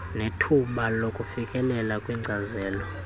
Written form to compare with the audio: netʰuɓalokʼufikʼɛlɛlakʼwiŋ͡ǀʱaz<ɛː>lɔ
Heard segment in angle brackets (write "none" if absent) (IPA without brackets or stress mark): ɛː